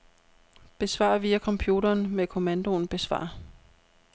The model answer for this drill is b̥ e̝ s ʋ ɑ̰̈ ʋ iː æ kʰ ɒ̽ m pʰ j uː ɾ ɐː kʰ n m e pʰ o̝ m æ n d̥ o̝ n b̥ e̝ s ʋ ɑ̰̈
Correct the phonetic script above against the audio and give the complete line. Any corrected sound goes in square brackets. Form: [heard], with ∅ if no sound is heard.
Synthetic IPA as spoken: b̥ e̝ s ʋ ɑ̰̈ ʋ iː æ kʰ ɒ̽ m pʰ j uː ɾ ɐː [∅] n m e [kʰ] o̝ m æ n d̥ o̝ n b̥ e̝ s ʋ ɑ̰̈